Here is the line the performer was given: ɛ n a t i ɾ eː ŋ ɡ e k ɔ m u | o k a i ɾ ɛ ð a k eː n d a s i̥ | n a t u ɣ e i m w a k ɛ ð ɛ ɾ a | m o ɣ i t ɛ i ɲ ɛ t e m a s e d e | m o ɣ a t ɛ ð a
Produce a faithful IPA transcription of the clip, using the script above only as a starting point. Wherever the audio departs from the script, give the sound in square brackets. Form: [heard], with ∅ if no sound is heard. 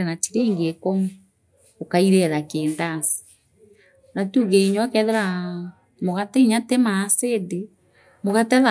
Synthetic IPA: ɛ n a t i ɾ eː ŋ ɡ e k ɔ m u | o k a i ɾ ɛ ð a k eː n d a s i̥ | n a t u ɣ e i [ɲ] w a k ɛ ð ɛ ɾ a | m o ɣ [a] t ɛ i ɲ [a] t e m a s e d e | m o ɣ a t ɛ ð a

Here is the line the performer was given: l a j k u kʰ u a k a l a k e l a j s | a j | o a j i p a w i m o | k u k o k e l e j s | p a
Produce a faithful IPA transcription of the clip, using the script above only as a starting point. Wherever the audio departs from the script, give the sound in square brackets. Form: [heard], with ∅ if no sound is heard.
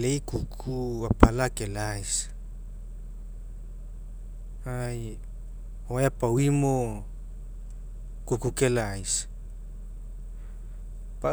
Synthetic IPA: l [e] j k u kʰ u a [p] a l a k e l a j s | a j | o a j [a] p a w i m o | k u k [u] k e l [a] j s | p a

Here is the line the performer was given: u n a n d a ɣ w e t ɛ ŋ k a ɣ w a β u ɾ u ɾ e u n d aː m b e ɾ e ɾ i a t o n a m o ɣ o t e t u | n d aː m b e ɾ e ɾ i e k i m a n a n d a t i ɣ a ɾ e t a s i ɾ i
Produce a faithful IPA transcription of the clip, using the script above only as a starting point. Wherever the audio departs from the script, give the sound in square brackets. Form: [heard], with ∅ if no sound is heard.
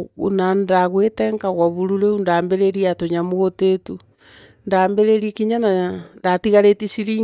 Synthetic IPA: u n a n d a ɣ w e t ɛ ŋ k a ɣ w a β u ɾ u ɾ e u n d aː m b e ɾ e ɾ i a t o [ɲ] a m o ɣ o t e t u | n d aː m b e ɾ e ɾ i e k i [ɲ] a n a n d a t i ɣ a ɾ e t [i] s i ɾ i

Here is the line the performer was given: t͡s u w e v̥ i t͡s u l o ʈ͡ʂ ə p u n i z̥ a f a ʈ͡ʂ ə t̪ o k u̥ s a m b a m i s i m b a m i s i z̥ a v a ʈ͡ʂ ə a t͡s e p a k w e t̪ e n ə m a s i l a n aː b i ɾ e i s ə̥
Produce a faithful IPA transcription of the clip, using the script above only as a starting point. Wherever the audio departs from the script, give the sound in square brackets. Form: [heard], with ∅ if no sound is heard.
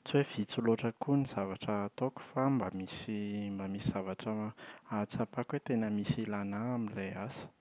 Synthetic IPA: t͡s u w e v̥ i t͡s u l o ʈ͡ʂ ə [k] u n i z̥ a [v] a ʈ͡ʂ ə t̪ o k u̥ [f] a m b a m i s i m b a m i s i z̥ a v a ʈ͡ʂ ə a t͡s [a] p a k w e t̪ e n ə m [i] s i l a n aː [m] i [l] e [a] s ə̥

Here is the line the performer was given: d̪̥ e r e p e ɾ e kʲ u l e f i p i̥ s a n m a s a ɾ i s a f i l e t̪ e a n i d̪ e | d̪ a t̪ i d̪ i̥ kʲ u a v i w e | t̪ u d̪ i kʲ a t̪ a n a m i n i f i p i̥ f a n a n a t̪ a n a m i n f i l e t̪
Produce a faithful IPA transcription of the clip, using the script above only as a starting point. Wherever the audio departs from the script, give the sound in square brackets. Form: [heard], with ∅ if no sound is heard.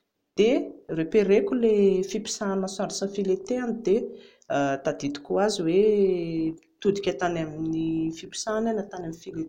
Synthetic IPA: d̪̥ e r e p e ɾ e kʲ u l e f i p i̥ s a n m a s a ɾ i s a f i l e t̪ e a n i d̪ e | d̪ a [d̪] i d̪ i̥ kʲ u a [z] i w e | t̪ u d̪ i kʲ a t̪ a n a m i n i f i p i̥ [s] a n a n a t̪ a n a m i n f i l e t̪

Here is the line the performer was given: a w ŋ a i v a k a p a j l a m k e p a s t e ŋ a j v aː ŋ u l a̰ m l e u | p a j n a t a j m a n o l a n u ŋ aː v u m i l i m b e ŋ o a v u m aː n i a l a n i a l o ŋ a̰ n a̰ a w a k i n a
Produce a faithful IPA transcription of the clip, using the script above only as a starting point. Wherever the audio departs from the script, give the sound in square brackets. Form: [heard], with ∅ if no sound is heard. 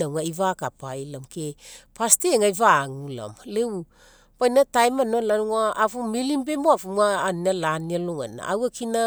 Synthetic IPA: a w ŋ a i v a k a p a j l a m k e p a s t e ŋ a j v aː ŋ u l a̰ m l e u | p a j n a t a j m a n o l a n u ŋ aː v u m i l i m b e [m] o a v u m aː n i a l a n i a l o ŋ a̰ n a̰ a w a k i n a

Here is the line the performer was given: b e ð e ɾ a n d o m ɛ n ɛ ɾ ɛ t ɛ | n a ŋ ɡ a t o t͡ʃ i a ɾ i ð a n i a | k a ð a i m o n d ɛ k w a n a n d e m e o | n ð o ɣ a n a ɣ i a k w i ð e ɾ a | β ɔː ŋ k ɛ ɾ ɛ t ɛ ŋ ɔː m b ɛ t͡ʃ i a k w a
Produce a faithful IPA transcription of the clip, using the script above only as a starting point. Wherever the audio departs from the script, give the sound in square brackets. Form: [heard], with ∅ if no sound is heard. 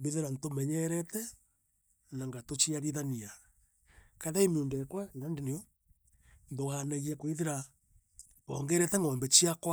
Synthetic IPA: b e ð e ɾ a n [t] o m ɛ [ɲ] ɛ ɾ ɛ t ɛ | n a ŋ ɡ a t o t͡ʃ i a ɾ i ð a n i a | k a ð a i m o n d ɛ k w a n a n d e [n] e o | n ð o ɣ a n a ɣ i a k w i ð e ɾ a | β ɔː ŋ [ɡ] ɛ ɾ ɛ t ɛ ŋ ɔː m b ɛ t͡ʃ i a k w a

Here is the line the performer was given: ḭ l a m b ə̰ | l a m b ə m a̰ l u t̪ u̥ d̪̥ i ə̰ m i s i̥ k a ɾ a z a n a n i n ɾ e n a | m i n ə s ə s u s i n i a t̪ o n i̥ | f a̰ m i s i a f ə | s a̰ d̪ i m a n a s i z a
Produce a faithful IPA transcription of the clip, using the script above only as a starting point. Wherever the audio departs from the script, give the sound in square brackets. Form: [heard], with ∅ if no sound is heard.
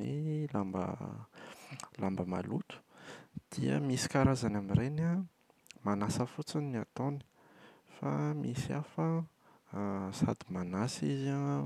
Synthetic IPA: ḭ l a m b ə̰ | l a m b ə m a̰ l u t̪ u̥ d̪̥ i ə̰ m i s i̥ k a ɾ a z a n a [m] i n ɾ e n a | m [a] n [a] s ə [f] u [t͡s] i n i a t̪ o n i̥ | f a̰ m i s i a f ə | s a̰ d̪ i m a n a s i z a

